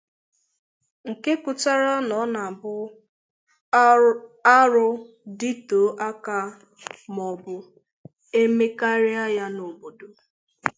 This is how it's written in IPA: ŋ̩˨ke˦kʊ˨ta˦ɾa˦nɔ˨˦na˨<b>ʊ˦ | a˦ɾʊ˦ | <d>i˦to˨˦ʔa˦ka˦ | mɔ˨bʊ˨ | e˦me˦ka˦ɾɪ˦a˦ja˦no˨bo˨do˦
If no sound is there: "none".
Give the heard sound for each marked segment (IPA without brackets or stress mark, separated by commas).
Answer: b, d